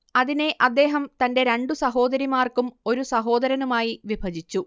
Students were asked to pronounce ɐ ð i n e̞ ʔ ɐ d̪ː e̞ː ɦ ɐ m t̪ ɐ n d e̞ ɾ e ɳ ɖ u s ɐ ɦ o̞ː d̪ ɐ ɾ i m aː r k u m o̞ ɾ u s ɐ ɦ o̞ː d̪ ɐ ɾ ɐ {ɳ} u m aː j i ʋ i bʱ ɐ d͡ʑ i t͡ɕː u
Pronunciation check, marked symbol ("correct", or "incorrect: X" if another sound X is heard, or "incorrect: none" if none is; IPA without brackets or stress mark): incorrect: n